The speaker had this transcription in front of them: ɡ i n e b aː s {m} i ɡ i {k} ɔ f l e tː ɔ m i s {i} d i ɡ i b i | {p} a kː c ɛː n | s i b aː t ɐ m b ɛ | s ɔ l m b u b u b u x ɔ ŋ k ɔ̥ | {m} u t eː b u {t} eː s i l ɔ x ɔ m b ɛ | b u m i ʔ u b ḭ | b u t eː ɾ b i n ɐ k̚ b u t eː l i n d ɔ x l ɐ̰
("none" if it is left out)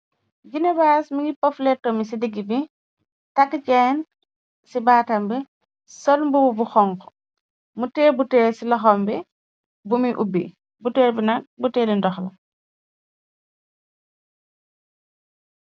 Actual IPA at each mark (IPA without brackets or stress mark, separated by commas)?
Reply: m, p, i, t, m, t